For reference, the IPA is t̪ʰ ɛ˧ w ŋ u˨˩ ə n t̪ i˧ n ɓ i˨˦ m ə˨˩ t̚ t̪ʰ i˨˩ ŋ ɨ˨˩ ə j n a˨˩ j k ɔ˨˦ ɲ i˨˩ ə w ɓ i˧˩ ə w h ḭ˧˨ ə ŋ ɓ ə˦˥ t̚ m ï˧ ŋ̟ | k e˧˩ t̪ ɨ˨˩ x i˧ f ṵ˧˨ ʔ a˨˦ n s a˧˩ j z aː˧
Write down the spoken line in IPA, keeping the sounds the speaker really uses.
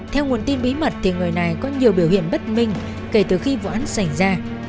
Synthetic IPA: t̪ʰ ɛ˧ w ŋ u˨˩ ə n t̪ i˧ n ɓ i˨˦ m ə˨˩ t̚ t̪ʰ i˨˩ ŋ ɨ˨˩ ə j n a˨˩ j k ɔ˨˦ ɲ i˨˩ ə w ɓ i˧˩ ə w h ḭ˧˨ ə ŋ ɓ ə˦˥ t̚ m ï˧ ŋ̟ | k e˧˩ t̪ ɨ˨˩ x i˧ v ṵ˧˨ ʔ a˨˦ n s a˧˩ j z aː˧